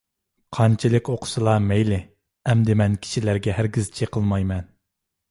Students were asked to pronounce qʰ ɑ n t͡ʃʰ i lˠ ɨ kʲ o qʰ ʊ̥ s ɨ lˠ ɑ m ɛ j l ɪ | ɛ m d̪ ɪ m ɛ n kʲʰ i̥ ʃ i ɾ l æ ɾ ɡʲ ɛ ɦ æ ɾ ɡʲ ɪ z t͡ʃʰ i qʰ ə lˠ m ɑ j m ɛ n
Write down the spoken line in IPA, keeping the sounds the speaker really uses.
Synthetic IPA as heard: qʰ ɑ n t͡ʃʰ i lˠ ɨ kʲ o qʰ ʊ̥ s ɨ lˠ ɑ m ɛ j l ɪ | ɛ m d̪ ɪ m ɛ n kʲʰ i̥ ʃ i l æ ɾ ɡʲ ɛ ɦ æ ɾ ɡʲ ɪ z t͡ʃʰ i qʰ ə lˠ m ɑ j m ɛ n